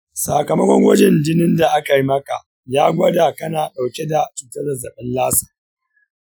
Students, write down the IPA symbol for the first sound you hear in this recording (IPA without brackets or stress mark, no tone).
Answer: s